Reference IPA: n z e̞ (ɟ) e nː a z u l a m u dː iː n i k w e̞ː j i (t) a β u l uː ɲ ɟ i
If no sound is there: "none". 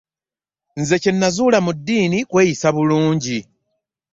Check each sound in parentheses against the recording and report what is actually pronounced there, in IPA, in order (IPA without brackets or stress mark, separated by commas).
c, s